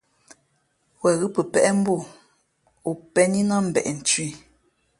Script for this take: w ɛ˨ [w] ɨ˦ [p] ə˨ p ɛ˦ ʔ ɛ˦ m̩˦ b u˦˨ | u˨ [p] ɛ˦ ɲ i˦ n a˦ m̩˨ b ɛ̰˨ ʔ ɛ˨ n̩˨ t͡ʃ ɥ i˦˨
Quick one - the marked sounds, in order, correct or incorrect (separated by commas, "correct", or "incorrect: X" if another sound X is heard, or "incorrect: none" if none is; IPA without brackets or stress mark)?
incorrect: ɣ, correct, correct